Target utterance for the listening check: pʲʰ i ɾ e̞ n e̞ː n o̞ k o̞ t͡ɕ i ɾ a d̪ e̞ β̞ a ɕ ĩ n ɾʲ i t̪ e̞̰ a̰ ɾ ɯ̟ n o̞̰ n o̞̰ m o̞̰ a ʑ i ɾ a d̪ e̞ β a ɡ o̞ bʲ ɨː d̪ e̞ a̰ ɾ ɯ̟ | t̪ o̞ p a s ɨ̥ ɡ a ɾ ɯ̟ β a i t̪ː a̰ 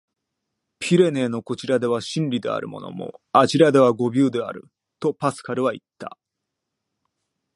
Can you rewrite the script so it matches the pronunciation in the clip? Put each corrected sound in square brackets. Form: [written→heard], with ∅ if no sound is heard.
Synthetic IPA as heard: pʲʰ i ɾ e̞ n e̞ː n o̞ k o̞ t͡ɕ i ɾ a d̪ e̞ β̞ a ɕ ĩ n ɾʲ i [t̪→d̪] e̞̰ a̰ ɾ ɯ̟ [n→m] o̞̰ n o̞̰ m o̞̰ a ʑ i ɾ a d̪ e̞ β a ɡ o̞ bʲ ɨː d̪ e̞ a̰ ɾ ɯ̟ | t̪ o̞ p a s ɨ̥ [ɡ→k] a ɾ ɯ̟ β a i t̪ː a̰